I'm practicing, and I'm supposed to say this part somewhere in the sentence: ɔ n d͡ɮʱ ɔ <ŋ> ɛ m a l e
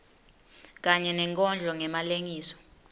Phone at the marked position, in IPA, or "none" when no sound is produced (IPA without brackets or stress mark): ŋ